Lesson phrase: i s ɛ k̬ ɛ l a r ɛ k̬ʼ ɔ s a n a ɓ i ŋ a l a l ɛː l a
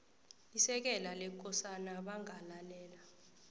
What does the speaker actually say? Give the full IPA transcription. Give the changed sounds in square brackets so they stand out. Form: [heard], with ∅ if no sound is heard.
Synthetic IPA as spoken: i s ɛ k̬ ɛ l a [l] ɛ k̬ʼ ɔ s a n a ɓ [a] ŋ a l a l ɛː l a